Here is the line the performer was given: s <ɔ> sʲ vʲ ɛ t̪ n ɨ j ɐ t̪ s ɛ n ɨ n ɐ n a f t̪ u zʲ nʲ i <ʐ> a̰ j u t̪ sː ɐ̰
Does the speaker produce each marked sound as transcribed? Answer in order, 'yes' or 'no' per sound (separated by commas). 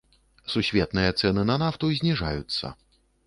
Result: no, yes